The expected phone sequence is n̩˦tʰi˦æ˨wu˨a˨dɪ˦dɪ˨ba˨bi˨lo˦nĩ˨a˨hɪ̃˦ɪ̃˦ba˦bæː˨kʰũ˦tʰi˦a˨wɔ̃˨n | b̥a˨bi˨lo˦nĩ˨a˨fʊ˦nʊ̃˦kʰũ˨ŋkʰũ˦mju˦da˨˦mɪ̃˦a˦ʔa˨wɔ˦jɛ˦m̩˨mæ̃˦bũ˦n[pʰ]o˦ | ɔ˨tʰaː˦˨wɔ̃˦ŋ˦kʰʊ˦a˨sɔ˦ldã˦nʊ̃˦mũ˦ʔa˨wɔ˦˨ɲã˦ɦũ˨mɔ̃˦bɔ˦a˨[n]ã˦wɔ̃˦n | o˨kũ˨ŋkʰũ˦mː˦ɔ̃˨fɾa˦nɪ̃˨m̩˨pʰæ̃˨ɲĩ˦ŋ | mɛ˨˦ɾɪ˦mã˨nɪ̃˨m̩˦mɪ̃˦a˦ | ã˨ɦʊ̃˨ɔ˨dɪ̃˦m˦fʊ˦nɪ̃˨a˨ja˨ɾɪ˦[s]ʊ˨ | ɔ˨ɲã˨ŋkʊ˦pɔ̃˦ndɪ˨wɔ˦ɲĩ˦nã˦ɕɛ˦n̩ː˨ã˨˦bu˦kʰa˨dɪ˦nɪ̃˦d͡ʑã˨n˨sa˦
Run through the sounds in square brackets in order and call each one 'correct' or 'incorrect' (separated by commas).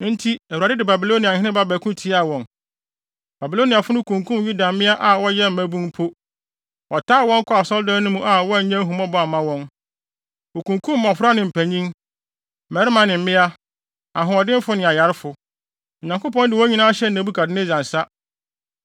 correct, incorrect, incorrect